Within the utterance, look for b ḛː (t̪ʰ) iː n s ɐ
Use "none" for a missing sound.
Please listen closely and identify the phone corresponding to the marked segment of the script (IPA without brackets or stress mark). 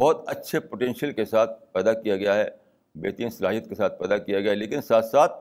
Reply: t̪